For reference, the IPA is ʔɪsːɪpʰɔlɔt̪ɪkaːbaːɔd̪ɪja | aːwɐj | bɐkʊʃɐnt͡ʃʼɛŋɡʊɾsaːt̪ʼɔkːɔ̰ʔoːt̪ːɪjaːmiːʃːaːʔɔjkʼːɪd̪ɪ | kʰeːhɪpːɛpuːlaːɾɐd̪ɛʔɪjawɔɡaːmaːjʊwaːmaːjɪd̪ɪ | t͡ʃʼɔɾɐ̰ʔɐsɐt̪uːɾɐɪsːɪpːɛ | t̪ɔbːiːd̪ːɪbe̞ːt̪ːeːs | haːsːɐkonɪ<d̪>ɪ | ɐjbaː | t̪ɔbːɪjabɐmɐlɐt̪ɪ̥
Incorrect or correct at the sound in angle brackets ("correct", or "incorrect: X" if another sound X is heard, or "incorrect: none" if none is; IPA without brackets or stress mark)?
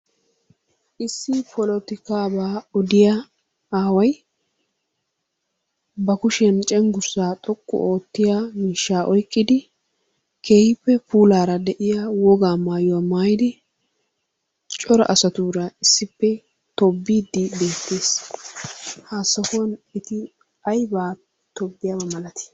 incorrect: t̪